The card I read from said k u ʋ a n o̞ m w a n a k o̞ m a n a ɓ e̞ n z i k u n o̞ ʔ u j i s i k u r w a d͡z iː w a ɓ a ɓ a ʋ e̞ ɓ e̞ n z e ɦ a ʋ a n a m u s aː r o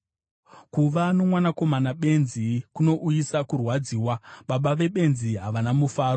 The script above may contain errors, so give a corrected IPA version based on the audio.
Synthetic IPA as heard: k u ʋ a n o̞ m w a n a k o̞ m a n a ɓ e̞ n z i k u n o̞ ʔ u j i s a k u r w a d͡z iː w a ɓ a ɓ a ʋ e̞ ɓ e̞ n z i ɦ a ʋ a n a m u f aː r o